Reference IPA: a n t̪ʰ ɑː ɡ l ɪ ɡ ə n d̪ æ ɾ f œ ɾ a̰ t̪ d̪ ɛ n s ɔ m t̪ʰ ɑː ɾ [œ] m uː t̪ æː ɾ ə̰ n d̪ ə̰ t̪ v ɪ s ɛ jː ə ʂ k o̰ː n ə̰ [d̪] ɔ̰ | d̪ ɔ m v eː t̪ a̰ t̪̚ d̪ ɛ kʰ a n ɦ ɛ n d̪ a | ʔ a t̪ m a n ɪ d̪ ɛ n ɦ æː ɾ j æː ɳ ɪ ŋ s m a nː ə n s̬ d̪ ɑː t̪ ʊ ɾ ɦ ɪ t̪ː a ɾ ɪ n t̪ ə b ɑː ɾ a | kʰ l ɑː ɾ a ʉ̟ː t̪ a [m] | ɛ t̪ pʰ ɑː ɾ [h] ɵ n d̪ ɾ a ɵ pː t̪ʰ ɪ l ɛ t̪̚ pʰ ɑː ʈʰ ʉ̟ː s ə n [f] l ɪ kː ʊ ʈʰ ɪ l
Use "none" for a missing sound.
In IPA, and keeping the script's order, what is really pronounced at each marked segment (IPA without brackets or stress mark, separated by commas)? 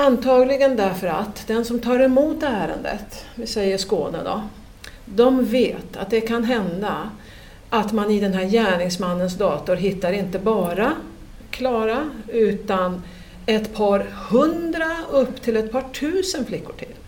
ɛ, d̪, n, h, f